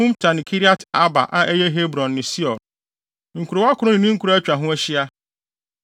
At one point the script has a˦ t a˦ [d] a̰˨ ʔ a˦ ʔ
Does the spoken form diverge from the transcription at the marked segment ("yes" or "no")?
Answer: yes